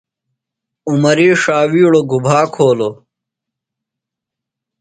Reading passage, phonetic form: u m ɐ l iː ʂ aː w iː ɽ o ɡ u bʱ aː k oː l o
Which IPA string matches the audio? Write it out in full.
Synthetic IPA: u m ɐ ɾ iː ʂ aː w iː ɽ o ɡ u bʱ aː kʰ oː l o